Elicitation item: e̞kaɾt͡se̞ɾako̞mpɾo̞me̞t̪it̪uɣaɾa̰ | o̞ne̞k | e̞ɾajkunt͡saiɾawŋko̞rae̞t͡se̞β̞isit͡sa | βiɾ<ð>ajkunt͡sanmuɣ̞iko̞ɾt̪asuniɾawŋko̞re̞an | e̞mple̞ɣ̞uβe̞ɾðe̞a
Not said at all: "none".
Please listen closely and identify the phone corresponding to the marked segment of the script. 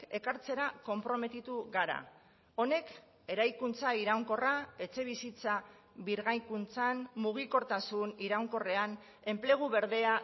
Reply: ɣ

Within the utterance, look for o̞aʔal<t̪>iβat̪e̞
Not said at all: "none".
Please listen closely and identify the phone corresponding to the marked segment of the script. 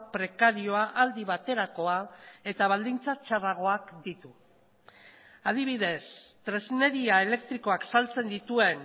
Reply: d̪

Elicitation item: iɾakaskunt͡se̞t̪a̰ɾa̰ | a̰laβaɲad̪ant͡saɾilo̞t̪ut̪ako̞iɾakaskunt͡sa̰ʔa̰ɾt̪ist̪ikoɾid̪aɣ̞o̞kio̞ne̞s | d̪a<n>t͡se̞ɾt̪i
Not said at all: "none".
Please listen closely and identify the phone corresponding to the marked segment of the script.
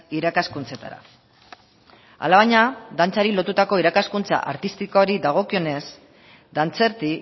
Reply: n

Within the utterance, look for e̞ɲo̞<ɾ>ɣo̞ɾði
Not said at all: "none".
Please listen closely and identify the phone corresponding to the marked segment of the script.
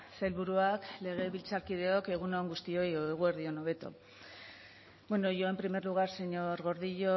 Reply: ɾ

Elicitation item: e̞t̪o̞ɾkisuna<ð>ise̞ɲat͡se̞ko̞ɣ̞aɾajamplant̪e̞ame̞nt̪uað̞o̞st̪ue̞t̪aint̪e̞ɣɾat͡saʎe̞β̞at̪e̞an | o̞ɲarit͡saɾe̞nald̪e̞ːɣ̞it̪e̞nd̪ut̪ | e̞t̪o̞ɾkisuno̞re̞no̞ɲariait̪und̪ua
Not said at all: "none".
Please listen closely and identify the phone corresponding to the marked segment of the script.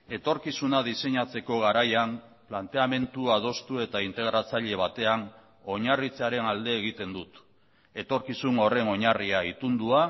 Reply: ð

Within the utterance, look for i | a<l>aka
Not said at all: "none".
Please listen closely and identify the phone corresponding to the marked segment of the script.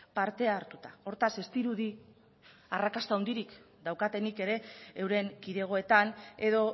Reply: r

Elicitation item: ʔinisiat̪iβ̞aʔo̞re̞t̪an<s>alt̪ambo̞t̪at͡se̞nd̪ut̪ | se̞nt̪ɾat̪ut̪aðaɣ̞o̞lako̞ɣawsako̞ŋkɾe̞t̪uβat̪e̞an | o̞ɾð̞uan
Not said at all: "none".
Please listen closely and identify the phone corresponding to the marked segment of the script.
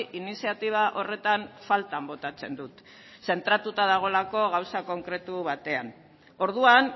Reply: f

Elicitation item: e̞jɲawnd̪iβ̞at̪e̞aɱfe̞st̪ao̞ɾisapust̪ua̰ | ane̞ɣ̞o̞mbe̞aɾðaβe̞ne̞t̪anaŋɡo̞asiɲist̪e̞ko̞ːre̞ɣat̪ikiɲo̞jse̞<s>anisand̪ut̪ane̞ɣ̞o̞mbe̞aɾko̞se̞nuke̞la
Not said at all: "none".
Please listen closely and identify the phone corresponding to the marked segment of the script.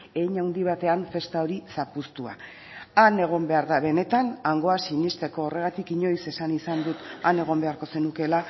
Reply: s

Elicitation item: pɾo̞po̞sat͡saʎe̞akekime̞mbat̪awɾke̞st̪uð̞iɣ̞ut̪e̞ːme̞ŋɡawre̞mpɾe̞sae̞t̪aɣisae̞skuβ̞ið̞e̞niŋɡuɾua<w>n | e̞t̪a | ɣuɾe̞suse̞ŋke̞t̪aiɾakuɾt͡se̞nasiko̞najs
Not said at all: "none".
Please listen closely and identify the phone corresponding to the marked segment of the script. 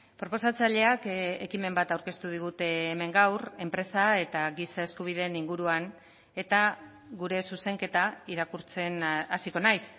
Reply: none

